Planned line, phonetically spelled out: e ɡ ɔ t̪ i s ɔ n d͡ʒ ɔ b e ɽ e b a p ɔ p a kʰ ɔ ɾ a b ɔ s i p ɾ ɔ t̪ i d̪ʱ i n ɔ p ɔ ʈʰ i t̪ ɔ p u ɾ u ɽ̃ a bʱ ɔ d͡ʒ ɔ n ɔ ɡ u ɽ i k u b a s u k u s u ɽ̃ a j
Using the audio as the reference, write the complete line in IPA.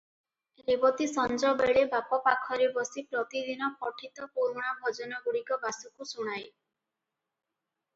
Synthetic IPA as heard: e b ɔ t̪ i s ɔ n d͡ʒ ɔ b e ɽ e b a p ɔ p a kʰ ɔ ɾ e b ɔ s i p ɾ ɔ t̪ i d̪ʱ i n ɔ p ɔ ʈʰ i t̪ ɔ p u ɾ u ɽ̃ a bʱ ɔ d͡ʒ ɔ n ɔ ɡ u ɽ i k ɔ b a s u k u s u ɽ̃ a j